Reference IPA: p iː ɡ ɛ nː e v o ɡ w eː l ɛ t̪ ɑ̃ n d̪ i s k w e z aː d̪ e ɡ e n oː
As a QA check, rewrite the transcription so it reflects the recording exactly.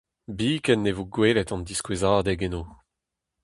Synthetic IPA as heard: b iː k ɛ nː e v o ɡ w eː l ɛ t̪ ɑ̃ n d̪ i s k w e z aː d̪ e ɡ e n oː